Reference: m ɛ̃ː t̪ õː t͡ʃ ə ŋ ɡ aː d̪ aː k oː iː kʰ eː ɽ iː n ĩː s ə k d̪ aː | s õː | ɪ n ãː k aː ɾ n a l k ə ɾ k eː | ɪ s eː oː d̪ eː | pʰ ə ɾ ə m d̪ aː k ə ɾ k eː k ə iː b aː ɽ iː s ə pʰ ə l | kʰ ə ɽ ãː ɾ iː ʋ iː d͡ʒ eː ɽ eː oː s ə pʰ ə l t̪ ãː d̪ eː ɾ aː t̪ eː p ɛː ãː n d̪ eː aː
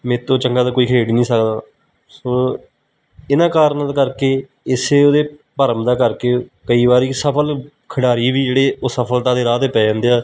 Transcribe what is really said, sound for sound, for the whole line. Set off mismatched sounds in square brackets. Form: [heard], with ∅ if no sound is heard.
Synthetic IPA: m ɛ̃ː t̪ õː t͡ʃ ə ŋ ɡ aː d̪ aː k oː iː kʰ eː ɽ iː n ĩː s ə k d̪ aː | s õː | ɪ n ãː k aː ɾ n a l k ə ɾ k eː | ɪ s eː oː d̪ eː | [p] ə ɾ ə m d̪ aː k ə ɾ k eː k ə iː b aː [ɾ] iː s ə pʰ ə l | kʰ ə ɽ [aː] ɾ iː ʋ iː d͡ʒ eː ɽ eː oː s ə pʰ ə l t̪ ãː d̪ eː ɾ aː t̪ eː p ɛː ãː n d̪ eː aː